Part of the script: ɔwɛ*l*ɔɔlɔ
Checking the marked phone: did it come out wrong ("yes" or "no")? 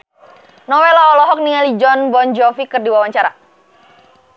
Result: no